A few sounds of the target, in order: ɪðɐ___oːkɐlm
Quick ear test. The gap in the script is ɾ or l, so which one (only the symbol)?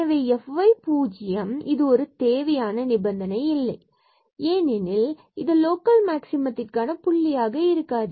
l